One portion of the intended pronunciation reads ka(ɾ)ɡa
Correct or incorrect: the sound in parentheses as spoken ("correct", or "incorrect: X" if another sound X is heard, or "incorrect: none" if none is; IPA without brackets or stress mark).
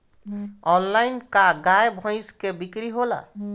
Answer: incorrect: none